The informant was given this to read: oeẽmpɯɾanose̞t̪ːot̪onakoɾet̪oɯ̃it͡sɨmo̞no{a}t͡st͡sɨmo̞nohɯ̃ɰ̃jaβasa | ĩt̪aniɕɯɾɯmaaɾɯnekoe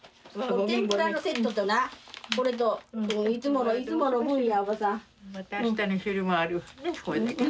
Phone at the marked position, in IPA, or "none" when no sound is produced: i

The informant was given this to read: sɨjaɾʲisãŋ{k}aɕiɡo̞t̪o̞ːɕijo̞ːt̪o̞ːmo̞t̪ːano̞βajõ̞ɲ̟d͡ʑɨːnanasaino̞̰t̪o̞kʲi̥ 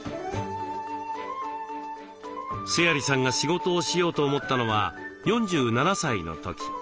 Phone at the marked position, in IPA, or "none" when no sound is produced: ɡ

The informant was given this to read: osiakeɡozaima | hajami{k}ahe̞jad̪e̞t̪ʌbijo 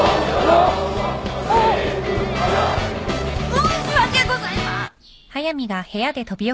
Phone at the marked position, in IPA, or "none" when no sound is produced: ɡ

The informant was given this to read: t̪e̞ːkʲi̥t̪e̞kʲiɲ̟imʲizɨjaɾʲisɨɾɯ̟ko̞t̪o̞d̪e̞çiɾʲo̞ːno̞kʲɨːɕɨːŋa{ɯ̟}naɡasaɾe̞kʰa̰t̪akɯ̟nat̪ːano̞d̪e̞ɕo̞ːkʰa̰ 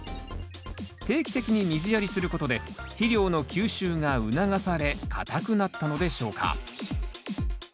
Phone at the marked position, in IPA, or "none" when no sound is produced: ɯ̟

